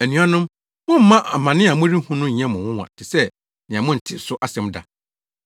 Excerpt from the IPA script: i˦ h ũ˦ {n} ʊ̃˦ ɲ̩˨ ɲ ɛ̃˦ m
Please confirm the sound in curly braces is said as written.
yes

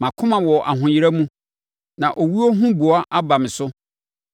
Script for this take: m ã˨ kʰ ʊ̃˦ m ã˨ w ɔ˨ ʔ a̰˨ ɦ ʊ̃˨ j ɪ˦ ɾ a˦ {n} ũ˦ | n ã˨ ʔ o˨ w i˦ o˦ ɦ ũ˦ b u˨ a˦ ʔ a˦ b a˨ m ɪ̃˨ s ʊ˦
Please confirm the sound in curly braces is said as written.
no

